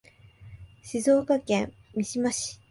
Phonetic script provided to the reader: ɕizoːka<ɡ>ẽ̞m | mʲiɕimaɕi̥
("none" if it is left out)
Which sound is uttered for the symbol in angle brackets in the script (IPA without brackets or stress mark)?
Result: k